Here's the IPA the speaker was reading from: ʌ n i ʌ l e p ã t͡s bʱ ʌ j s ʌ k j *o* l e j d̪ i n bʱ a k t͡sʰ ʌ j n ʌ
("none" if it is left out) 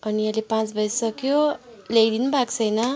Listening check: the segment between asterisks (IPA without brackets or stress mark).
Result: o